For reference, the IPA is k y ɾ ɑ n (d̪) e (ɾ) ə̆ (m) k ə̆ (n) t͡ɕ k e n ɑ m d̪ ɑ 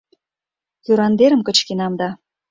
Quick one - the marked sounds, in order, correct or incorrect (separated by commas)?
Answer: correct, correct, correct, incorrect